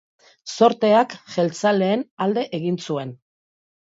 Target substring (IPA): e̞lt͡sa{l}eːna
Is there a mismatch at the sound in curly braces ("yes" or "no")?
no